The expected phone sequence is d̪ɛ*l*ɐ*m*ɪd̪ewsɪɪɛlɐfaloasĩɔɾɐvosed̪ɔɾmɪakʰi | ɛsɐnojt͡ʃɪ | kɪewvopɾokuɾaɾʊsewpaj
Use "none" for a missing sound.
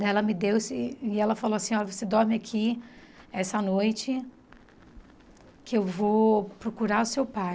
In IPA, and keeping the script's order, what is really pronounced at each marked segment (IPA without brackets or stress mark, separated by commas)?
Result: l, m